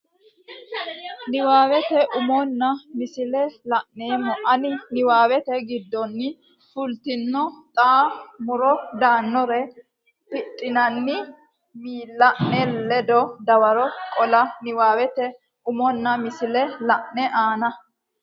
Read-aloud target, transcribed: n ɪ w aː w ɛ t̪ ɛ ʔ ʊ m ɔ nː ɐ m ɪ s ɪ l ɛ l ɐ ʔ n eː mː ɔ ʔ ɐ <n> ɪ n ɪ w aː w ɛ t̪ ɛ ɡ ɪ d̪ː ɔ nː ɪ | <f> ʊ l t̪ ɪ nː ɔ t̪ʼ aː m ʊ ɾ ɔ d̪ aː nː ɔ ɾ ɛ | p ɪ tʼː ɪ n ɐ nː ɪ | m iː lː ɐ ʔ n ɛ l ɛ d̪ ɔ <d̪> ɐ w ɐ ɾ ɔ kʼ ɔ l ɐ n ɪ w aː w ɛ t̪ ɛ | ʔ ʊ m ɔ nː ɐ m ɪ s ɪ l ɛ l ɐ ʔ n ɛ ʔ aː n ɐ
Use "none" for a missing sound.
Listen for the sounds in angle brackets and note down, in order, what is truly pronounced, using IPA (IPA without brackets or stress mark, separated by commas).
n, f, d̪